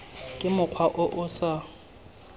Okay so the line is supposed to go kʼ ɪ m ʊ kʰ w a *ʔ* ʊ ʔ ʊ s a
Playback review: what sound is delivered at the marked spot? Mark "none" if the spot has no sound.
ʔ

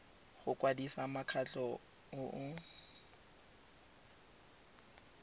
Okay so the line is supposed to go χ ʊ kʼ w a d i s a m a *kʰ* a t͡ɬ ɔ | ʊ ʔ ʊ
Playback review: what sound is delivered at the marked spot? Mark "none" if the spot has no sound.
kʰ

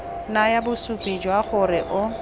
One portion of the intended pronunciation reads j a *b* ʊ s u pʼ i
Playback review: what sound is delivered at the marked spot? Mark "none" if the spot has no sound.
b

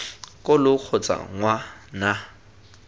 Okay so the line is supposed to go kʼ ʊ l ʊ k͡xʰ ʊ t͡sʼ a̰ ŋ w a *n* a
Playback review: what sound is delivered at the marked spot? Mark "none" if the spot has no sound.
n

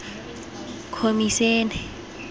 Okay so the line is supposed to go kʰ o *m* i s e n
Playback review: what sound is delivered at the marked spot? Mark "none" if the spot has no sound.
m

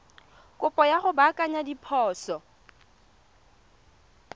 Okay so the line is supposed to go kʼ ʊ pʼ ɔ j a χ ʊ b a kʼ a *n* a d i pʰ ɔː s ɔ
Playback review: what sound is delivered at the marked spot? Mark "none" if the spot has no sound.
ɲ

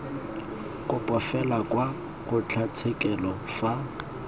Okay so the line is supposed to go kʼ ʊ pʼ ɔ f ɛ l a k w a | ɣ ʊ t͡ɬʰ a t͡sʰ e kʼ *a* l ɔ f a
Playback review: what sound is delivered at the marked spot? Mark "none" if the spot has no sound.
ɛ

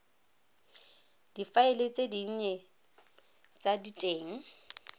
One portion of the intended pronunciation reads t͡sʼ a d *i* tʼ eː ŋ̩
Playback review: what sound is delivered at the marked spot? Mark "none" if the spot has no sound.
i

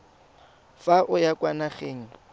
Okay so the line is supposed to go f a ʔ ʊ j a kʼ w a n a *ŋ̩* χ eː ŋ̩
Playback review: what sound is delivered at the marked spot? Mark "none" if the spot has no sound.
none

